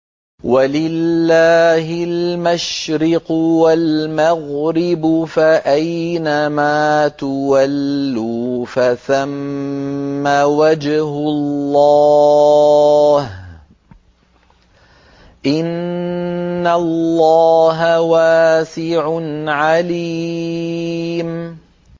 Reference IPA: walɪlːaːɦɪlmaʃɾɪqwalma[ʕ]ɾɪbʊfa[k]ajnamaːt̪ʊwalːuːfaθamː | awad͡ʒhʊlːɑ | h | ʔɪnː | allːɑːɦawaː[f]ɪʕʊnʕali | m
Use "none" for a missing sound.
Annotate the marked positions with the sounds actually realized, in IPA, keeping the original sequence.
ɣ, ʔ, s

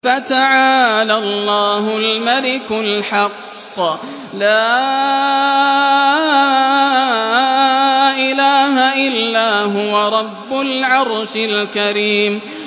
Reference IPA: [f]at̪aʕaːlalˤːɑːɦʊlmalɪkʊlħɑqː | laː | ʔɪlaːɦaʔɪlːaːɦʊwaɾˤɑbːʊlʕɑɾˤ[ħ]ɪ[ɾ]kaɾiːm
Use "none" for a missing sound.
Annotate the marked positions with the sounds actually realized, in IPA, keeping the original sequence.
f, ʃ, l

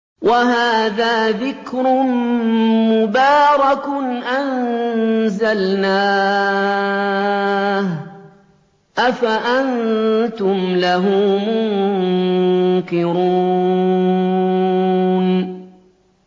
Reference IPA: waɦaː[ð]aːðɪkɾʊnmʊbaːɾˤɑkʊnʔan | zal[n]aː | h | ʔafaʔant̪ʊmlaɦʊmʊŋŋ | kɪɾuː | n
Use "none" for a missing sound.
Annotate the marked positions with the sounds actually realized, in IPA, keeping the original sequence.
ð, n

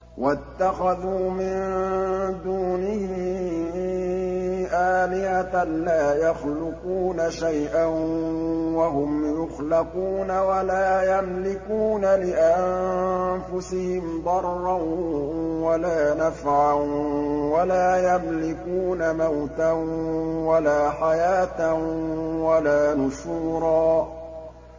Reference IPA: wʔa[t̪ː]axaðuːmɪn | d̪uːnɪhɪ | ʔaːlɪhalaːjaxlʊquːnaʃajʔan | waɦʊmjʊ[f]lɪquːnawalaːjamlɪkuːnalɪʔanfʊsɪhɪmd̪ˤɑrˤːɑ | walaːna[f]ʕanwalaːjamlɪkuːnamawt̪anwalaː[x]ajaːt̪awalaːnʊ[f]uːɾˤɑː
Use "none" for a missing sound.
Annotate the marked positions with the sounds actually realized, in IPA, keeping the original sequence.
t̪ː, x, f, ħ, ʃ

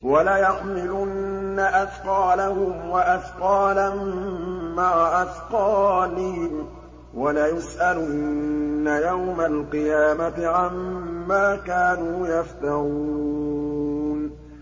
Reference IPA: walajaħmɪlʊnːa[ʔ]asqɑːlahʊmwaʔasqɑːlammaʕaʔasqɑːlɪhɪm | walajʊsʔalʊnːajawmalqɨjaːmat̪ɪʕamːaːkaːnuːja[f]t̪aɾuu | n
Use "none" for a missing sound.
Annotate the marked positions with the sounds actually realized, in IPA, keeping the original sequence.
ʔ, f

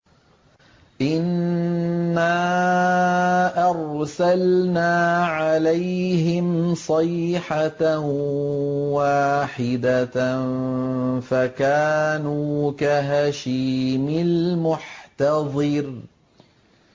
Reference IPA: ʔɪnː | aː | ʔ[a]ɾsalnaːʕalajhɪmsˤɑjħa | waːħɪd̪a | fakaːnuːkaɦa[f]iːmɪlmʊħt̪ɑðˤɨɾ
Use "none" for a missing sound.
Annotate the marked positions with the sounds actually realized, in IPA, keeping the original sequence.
ɑ, ʃ

